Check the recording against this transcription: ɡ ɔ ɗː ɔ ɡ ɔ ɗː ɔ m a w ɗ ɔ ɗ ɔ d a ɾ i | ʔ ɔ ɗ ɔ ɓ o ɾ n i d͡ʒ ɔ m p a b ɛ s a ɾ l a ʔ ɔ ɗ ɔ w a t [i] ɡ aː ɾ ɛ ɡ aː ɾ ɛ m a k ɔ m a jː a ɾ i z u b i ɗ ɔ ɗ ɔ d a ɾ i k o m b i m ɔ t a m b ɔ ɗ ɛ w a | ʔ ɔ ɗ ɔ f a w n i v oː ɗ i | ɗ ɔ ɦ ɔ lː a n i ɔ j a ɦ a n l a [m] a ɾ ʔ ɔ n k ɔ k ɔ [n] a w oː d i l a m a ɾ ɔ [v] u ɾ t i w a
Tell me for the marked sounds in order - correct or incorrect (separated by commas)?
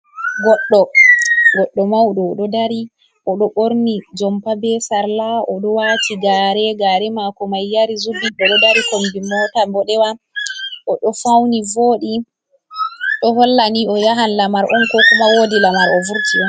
correct, correct, incorrect, correct